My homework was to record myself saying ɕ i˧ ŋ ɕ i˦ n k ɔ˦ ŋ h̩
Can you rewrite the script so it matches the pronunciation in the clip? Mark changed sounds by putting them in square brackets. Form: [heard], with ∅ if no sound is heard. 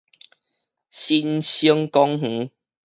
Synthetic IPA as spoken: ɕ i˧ [n] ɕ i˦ [ŋ] k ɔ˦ ŋ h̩